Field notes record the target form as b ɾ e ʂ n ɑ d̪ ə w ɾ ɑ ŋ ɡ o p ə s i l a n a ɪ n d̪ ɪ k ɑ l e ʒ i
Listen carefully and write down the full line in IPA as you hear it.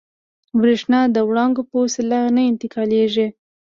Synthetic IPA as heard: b ɾ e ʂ n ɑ d̪ ə w ɽ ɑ ŋ ɡ o p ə s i l a n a ɪ n t̪ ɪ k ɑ l e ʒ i